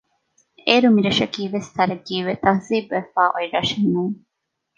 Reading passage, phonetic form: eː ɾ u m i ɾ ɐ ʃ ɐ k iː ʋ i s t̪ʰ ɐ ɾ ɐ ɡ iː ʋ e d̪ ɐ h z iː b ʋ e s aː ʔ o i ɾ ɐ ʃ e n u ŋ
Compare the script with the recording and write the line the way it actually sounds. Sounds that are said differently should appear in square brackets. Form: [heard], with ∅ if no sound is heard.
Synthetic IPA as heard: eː ɾ u m i ɾ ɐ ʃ ɐ k iː ʋ [e] s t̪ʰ ɐ ɾ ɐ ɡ iː ʋ e [t̪] ɐ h z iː b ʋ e [f] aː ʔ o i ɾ ɐ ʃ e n u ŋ